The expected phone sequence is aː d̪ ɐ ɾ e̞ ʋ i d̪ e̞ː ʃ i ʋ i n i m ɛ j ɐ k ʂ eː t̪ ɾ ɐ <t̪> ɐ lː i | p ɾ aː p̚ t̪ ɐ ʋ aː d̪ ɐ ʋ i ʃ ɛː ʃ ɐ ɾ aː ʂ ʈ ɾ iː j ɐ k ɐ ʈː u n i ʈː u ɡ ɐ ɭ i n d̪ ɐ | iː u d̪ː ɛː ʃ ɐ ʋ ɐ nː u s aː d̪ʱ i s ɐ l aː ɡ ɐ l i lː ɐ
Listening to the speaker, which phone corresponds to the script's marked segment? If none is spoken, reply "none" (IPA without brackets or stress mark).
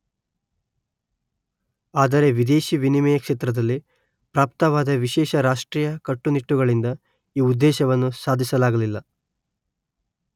d̪